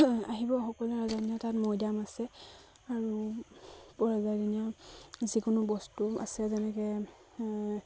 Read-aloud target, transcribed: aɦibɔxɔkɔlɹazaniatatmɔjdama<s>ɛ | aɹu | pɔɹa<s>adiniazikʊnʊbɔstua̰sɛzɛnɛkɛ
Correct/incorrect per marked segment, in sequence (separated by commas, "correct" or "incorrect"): correct, incorrect